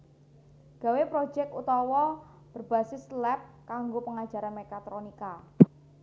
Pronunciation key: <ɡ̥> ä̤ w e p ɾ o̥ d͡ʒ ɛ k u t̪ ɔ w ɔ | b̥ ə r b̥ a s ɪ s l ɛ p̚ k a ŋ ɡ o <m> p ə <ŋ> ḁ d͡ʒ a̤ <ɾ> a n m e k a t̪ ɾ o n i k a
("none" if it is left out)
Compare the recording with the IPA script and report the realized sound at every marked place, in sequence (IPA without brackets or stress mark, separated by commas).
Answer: ɡ̥, none, ŋ, ɾ